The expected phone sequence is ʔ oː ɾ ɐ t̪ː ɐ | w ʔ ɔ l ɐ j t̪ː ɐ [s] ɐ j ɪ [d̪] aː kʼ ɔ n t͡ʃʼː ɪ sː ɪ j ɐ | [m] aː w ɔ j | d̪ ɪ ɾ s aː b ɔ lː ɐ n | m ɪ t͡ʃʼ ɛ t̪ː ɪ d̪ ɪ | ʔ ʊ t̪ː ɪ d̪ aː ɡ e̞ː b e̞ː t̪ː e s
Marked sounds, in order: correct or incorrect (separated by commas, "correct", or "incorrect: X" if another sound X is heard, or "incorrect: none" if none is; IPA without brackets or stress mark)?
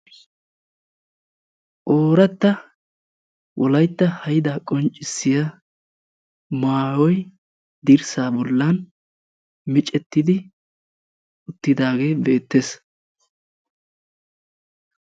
incorrect: h, correct, correct